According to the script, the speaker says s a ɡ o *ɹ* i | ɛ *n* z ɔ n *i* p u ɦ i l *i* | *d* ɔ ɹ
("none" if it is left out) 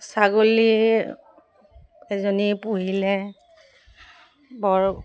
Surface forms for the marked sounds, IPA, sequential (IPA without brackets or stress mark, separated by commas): l, none, i, ɛ, b